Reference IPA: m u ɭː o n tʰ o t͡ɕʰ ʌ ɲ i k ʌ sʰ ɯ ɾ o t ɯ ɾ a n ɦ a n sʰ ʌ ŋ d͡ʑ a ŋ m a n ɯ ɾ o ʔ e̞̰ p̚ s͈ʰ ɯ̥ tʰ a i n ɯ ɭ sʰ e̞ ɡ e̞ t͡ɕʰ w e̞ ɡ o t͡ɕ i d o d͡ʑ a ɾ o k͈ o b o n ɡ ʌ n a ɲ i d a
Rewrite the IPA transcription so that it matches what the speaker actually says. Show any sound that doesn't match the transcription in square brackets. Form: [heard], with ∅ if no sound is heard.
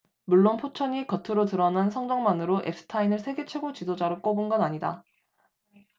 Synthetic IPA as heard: m u ɭː o n [pʰ] o t͡ɕʰ ʌ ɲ i k ʌ [tʰ] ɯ ɾ o t ɯ ɾ [ʌ] n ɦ a n sʰ ʌ ŋ d͡ʑ [ʌ] ŋ m a n ɯ ɾ o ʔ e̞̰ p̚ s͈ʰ ɯ̥ tʰ a i n ɯ ɭ sʰ e̞ ɡ e̞ t͡ɕʰ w e̞ ɡ o t͡ɕ i d o d͡ʑ a ɾ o k͈ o b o n ɡ ʌ n a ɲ i d a